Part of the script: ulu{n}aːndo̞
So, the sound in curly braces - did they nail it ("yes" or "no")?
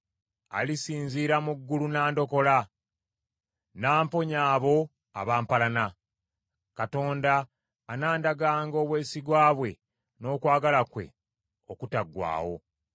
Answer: yes